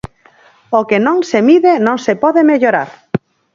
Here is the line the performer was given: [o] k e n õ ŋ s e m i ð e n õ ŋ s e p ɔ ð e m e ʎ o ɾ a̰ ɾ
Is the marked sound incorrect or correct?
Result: correct